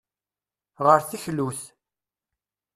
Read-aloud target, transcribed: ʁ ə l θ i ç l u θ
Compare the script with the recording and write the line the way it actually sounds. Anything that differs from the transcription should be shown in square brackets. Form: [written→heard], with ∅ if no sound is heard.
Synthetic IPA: ʁ ə [l→ɾ] θ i ç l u θ